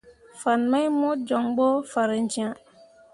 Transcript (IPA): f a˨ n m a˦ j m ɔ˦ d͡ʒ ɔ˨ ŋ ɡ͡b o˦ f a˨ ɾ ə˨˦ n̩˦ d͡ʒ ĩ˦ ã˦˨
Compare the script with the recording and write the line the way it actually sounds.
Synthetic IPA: f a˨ n m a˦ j m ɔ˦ d͡ʒ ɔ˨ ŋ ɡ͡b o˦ f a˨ ɾ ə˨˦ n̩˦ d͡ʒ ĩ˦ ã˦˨